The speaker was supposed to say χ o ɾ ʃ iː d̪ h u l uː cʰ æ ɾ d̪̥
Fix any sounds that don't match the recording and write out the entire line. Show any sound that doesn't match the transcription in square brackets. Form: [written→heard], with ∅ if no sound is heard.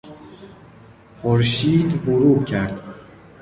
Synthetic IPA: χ o ɾ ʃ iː d̪ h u [l→ɾ] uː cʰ æ ɾ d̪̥